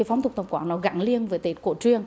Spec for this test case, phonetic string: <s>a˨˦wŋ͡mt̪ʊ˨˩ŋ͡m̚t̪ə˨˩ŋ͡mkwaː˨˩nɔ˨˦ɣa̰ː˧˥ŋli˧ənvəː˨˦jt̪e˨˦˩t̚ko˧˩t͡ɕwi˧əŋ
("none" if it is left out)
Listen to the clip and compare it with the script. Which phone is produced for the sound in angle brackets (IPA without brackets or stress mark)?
f